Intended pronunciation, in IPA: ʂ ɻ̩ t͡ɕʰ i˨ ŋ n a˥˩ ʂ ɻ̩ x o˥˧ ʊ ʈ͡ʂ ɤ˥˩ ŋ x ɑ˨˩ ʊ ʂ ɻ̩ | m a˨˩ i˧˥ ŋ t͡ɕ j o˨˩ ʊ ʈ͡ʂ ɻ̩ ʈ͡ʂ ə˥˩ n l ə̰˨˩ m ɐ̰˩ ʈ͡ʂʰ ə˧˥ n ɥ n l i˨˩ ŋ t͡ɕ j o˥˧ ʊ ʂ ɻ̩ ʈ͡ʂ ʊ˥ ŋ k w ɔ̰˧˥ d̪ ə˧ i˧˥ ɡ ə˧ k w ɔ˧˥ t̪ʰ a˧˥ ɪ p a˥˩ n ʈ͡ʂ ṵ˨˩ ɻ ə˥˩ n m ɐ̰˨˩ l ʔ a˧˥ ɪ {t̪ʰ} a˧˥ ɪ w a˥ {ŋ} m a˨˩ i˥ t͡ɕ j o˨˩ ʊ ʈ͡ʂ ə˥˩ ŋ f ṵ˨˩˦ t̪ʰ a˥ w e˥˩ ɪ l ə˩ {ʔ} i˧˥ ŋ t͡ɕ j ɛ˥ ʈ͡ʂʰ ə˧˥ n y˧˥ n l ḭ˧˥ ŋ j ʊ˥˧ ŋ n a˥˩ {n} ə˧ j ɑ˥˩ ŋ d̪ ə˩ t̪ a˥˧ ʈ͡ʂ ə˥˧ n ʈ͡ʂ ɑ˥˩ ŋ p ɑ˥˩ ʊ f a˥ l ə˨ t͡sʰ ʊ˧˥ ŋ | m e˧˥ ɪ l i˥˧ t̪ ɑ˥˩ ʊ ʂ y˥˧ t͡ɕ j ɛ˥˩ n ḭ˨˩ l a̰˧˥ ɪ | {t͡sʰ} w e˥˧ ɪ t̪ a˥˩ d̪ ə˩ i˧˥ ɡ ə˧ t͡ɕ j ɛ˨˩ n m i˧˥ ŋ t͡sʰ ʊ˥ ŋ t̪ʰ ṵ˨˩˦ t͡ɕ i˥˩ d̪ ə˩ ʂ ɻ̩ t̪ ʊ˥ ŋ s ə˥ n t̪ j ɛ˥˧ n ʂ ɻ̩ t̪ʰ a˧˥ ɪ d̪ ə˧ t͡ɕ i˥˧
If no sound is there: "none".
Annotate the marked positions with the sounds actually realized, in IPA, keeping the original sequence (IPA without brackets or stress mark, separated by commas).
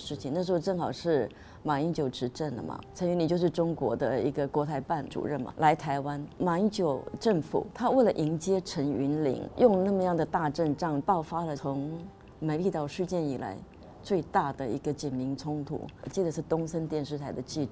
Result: t̪ʰ, n, ʔ, m, t͡s